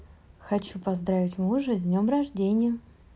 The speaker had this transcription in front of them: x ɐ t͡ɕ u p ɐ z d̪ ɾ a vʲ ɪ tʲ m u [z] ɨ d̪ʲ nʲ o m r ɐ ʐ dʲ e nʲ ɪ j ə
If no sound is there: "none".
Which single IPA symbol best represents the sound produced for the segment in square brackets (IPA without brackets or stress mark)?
ʐ